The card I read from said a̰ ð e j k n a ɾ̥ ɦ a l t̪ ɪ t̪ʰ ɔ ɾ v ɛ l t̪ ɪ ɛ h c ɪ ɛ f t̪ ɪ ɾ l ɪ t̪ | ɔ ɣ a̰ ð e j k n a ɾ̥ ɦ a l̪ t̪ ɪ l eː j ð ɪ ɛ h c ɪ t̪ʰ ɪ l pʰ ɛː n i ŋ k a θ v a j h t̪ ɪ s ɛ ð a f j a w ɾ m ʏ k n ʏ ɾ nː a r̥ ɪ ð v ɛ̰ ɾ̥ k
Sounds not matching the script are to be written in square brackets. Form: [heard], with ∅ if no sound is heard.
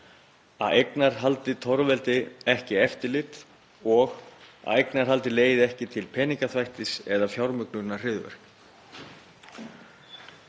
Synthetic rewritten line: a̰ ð e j k n a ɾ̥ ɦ a l t̪ ɪ t̪ʰ ɔ ɾ v ɛ l t̪ ɪ ɛ h c ɪ ɛ f t̪ ɪ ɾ l ɪ t̪ | ɔ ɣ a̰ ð e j k n a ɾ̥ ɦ a l̪ t̪ ɪ l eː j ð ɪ ɛ h c ɪ t̪ʰ ɪ l pʰ ɛː n i ŋ k a θ v a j h t̪ ɪ s ɛ ð a f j a w ɾ m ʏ k n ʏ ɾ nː a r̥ ɪ ð v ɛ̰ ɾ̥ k